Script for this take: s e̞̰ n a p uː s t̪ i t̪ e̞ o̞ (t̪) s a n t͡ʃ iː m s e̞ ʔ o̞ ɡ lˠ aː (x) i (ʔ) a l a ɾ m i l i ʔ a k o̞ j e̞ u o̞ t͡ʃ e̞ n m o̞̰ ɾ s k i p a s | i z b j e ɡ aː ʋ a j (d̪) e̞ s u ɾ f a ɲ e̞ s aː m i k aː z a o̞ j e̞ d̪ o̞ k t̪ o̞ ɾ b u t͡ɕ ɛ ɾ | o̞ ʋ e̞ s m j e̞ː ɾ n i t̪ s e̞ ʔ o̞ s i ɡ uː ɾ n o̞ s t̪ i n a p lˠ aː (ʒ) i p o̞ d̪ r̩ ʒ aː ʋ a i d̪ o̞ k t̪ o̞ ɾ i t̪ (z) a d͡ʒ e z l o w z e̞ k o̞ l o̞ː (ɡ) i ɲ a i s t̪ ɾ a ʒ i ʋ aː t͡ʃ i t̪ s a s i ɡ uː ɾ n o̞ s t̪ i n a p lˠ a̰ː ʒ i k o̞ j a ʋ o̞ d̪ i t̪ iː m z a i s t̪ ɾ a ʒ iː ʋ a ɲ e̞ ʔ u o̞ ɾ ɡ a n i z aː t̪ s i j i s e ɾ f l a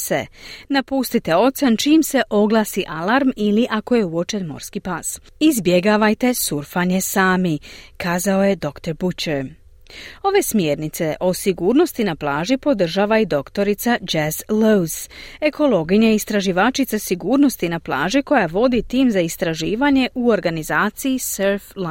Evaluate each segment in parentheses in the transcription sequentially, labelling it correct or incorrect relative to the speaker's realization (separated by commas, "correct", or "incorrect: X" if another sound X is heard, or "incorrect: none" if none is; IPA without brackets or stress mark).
correct, incorrect: s, correct, incorrect: t̪, correct, incorrect: s, correct